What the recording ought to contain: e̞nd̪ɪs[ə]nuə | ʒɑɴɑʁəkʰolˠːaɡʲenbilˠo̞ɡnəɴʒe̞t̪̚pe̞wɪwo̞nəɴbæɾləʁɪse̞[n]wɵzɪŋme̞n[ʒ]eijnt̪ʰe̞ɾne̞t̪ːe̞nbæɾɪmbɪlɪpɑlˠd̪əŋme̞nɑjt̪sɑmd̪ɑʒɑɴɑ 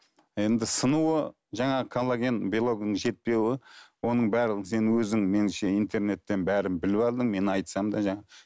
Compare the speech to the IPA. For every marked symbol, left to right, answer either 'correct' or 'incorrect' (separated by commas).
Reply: correct, correct, incorrect